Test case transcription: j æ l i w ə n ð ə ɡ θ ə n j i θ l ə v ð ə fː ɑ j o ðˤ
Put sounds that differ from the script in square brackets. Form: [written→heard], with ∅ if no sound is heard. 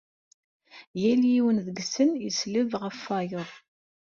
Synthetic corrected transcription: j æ l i w ə n ð ə ɡ [θ→s] ə n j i [θ→s] l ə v [ð→ʁ] ə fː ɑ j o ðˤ